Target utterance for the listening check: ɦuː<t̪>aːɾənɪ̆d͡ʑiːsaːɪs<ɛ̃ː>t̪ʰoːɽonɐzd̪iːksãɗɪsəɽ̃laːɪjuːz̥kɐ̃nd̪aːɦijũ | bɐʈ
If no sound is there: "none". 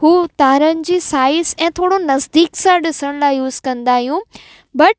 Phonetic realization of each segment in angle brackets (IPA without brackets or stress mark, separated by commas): t̪, ɛ̃ː